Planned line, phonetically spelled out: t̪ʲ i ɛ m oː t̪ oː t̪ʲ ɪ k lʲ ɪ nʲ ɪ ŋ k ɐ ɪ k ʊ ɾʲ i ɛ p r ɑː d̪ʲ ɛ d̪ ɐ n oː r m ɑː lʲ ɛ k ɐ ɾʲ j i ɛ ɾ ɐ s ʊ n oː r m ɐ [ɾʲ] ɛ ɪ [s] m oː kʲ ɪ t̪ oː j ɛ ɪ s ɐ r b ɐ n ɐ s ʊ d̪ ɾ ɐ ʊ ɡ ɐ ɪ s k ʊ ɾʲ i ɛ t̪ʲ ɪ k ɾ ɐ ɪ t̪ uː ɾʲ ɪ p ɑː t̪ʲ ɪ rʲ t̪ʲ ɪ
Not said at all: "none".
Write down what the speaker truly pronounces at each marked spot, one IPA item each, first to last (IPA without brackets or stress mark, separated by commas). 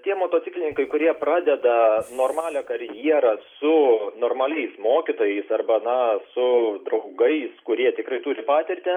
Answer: lʲ, s